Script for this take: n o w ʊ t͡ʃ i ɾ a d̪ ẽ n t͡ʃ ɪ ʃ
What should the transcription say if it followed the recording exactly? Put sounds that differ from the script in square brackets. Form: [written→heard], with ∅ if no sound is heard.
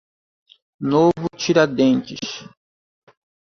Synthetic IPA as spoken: n o [w→v] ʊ t͡ʃ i ɾ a d̪ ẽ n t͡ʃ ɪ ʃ